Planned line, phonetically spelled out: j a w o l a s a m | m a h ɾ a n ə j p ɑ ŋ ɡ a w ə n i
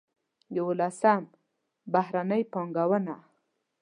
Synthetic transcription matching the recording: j a w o l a s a m | b a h ɾ a n ə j p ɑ ŋ ɡ a w ə n a